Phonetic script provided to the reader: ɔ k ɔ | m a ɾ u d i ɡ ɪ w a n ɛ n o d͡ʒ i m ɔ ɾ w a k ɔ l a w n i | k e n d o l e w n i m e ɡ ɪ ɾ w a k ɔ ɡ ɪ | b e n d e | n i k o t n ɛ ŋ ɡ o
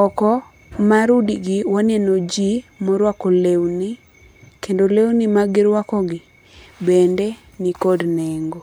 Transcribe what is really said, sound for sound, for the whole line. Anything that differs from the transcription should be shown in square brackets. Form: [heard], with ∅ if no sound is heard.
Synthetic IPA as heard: ɔ k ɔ | m a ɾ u d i ɡ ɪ w a n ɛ n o d͡ʒ i m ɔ ɾ w a k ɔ l [e] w n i | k e n d o l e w n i m [a] ɡ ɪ ɾ w a k ɔ ɡ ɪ | b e n d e | n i k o [d] n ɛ ŋ ɡ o